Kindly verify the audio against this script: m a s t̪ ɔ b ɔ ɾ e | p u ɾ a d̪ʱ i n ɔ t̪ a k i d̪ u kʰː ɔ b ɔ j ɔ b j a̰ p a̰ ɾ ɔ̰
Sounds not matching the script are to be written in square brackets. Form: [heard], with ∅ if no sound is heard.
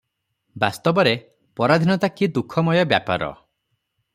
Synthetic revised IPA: [b] a s t̪ ɔ b ɔ ɾ e | p [ɔ] ɾ a d̪ʱ i n ɔ t̪ a k i d̪ u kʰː ɔ [m] ɔ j ɔ b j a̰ p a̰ ɾ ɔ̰